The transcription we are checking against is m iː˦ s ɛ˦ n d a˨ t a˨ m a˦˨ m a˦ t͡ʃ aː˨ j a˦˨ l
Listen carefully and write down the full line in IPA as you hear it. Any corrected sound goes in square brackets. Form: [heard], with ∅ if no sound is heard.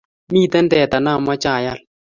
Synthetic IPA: m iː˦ [t] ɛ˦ n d [ɛ˨] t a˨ [n] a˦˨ m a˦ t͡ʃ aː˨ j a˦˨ l